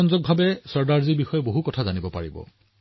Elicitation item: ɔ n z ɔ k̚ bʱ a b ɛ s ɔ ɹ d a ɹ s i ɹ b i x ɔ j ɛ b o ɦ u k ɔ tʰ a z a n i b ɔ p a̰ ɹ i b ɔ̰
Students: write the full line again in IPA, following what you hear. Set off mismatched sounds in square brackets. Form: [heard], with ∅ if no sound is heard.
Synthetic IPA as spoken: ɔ n z ɔ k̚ bʱ a b ɛ s ɔ ɹ d a ɹ [z] i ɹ b i x ɔ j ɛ b o ɦ u k ɔ tʰ a z a n i b ɔ p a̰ ɹ i b ɔ̰